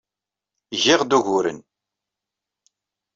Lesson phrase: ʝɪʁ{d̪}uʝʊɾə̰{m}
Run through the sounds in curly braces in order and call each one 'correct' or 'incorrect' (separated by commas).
correct, incorrect